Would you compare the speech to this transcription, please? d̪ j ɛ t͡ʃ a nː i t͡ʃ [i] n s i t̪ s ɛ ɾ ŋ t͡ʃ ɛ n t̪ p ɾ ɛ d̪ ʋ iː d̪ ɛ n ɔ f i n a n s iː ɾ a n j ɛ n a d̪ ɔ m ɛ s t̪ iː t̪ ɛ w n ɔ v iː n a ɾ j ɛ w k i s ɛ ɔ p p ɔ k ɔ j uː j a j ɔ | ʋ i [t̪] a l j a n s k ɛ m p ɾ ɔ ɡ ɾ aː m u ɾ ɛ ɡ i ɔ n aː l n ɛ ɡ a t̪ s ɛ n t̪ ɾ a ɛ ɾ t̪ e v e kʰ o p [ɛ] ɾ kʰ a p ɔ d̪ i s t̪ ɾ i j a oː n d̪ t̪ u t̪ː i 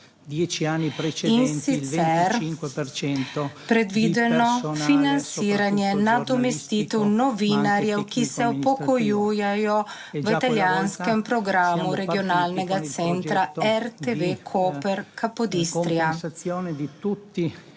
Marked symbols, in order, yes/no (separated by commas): yes, yes, yes